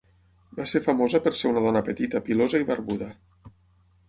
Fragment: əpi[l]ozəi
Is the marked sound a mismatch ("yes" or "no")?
no